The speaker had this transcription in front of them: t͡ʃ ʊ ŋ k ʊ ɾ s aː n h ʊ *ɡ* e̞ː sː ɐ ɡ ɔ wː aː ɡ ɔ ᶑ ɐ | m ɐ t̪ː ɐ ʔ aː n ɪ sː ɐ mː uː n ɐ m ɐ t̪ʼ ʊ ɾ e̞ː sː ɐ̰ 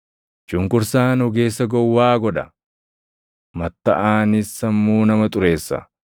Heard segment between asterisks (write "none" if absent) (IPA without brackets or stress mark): ɡ